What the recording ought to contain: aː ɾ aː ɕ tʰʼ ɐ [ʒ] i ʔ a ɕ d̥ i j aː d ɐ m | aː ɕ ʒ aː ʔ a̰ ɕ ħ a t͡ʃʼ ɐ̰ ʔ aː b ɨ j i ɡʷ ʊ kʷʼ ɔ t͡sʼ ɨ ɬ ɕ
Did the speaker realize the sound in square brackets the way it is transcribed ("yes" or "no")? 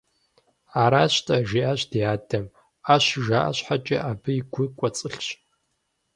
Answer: yes